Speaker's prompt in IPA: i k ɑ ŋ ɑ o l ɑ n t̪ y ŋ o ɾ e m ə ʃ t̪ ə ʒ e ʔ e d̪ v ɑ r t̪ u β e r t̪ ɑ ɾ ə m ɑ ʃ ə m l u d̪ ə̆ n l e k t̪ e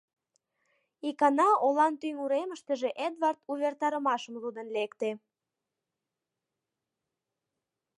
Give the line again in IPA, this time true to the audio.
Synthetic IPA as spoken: i k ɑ n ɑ o l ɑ n t̪ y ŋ u ɾ e m ə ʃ t̪ ə ʒ e ʔ e d̪ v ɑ r t̪ u β e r t̪ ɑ ɾ ə m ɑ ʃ ə m l u d̪ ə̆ n l e k t̪ e